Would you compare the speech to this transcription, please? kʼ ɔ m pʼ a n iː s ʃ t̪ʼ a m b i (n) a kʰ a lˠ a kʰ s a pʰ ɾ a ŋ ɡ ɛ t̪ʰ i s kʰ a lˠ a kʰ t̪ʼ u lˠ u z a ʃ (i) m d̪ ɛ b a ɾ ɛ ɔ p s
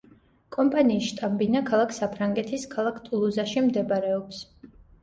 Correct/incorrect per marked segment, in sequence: correct, correct

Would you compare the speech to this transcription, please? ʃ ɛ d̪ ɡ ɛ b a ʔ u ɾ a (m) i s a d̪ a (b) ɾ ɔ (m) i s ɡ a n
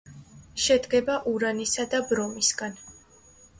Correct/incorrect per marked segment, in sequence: incorrect, correct, correct

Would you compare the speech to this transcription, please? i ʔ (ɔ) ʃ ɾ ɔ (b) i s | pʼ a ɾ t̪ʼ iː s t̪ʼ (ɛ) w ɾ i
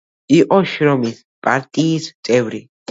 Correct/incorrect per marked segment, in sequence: correct, incorrect, correct

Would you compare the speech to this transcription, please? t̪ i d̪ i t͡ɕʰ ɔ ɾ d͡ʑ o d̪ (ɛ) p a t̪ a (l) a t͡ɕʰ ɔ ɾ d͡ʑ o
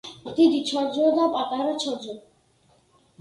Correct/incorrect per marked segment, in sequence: incorrect, incorrect

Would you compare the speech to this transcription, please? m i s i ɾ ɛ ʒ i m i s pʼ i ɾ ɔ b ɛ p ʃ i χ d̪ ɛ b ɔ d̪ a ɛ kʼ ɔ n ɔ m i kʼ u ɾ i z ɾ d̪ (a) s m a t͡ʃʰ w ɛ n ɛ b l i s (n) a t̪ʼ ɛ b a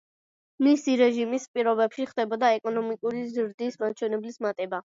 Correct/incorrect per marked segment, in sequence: incorrect, incorrect

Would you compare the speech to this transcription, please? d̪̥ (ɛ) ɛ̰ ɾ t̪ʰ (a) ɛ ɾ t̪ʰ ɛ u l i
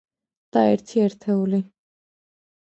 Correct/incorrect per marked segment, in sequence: incorrect, incorrect

